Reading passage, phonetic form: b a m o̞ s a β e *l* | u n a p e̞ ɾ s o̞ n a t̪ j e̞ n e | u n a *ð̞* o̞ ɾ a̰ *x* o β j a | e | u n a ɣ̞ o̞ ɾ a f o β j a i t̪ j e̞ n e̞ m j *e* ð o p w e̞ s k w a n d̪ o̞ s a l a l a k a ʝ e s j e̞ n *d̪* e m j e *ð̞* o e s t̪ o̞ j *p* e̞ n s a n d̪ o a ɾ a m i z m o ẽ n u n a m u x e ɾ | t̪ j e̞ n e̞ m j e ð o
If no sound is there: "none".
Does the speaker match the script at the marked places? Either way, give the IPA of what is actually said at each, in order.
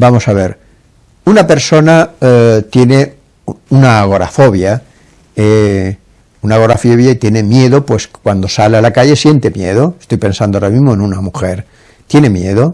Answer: ɾ, ɣ̞, f, e, t̪, ð̞, p

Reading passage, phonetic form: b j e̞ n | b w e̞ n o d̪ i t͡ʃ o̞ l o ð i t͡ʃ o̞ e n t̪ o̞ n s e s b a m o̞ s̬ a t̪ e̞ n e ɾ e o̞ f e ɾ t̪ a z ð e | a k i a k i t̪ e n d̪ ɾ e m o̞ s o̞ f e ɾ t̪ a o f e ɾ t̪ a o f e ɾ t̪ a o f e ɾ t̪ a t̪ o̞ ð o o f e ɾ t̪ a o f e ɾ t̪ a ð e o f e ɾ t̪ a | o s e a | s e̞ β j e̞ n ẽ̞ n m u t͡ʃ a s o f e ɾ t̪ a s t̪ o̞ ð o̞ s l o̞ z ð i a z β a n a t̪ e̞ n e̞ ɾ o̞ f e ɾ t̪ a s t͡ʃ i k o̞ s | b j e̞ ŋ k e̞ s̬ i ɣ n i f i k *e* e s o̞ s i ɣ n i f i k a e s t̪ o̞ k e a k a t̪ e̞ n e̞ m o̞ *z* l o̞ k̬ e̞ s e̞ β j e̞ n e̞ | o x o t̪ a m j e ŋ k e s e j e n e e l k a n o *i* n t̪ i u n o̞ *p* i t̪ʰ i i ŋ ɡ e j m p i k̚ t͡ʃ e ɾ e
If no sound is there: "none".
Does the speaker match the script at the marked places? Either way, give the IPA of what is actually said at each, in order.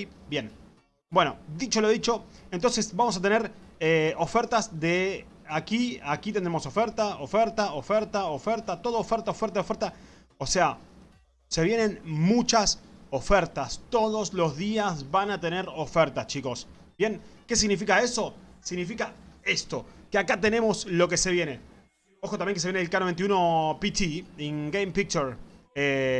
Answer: a, s, e, p

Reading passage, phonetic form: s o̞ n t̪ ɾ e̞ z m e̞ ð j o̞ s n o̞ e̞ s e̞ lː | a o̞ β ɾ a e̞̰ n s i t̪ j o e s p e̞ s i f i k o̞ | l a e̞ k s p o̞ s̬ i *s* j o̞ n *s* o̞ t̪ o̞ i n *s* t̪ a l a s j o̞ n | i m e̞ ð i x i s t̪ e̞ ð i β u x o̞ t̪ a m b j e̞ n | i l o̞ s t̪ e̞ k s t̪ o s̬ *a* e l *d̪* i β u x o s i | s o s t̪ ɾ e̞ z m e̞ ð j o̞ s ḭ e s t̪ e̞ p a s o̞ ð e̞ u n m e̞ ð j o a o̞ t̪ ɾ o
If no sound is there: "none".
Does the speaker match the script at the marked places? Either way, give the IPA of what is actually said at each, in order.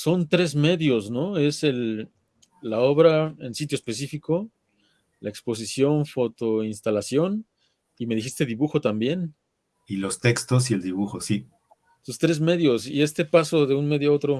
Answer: s, f, s, i, d̪

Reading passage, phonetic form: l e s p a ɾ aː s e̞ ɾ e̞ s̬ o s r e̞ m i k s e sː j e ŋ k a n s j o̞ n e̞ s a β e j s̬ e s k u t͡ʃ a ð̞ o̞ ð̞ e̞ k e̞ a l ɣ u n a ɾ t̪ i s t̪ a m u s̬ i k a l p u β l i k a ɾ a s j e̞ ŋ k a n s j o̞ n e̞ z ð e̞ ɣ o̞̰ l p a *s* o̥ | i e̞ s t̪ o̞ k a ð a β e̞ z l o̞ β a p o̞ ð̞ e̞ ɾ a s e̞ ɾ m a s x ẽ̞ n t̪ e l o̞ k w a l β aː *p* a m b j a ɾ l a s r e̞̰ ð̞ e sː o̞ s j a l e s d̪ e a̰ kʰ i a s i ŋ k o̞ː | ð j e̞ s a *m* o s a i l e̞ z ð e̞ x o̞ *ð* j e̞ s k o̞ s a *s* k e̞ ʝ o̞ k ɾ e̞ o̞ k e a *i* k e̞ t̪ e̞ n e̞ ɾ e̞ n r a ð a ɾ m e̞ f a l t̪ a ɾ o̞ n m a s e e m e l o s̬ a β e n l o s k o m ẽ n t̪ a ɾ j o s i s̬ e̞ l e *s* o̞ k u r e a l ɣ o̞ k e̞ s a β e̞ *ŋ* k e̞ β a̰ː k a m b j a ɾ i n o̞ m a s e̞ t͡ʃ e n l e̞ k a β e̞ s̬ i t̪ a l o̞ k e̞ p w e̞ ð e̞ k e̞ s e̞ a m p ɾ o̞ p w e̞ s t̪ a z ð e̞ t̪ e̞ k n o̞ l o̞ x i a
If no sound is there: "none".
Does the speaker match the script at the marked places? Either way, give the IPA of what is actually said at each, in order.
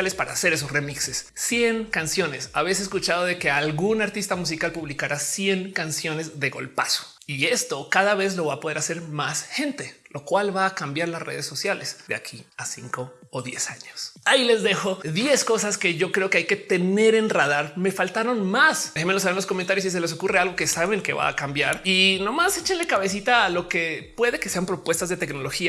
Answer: s, k, ɲ, ð, s, j, s, ŋ

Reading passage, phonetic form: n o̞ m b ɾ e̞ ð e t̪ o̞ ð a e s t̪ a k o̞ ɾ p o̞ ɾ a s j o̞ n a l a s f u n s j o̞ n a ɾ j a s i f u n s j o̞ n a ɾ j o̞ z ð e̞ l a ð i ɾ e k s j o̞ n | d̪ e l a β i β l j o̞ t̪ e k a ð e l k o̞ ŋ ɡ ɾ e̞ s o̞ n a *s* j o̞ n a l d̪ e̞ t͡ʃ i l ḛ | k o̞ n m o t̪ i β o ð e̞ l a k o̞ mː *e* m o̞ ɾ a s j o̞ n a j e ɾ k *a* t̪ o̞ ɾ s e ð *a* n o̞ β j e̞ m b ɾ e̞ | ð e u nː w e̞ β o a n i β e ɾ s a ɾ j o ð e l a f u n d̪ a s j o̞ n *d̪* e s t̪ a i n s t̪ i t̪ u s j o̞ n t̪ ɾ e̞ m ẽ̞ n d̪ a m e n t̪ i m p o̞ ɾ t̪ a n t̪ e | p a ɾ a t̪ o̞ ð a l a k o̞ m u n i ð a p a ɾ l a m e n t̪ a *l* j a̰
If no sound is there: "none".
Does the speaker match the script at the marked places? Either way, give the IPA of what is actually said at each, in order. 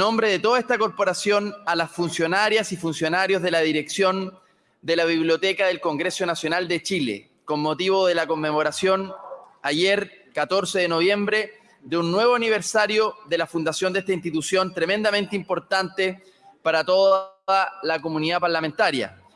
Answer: s, e, a, e, d̪, ɾ

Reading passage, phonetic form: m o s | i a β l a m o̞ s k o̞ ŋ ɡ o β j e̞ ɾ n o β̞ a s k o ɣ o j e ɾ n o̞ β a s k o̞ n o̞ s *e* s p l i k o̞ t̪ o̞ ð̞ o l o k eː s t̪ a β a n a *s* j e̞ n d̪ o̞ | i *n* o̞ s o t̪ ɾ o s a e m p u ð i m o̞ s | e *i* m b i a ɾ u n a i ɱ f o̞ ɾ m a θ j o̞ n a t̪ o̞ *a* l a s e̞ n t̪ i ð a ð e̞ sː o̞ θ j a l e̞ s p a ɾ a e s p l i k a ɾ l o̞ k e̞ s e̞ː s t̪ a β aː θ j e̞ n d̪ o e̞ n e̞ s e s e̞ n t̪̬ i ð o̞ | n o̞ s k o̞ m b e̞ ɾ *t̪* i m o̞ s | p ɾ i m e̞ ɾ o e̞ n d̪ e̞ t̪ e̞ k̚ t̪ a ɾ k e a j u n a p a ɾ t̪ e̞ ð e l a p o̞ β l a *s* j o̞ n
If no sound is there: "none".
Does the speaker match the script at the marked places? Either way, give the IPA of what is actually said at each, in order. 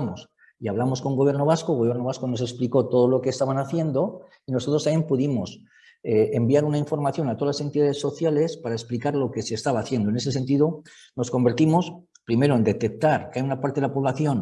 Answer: e, θ, n, e, a, t̪, θ

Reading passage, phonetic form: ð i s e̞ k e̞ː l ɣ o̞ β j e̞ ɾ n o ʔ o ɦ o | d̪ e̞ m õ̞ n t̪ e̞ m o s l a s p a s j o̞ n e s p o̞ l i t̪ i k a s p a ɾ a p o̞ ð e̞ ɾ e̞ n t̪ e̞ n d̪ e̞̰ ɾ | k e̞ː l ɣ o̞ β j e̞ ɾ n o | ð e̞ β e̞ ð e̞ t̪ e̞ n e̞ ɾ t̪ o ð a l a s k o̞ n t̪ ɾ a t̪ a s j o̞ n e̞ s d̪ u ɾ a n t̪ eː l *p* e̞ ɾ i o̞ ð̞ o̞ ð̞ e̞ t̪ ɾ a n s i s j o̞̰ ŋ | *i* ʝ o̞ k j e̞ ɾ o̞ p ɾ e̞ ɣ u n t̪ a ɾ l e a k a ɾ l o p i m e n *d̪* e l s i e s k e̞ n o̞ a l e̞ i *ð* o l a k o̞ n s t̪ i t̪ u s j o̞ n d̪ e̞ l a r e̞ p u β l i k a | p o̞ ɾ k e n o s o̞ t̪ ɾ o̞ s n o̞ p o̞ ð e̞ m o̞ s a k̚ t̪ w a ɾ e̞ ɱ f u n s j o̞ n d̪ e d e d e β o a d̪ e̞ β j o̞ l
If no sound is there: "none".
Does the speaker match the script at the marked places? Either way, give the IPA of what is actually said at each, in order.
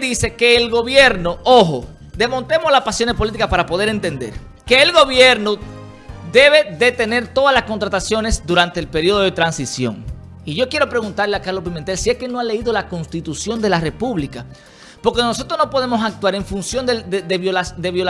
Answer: p, i, t̪, ð

